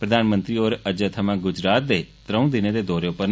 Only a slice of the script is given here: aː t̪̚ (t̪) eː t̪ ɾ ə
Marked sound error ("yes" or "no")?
yes